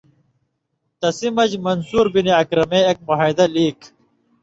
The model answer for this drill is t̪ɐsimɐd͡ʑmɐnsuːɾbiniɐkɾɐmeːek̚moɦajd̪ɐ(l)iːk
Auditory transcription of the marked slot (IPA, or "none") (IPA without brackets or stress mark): l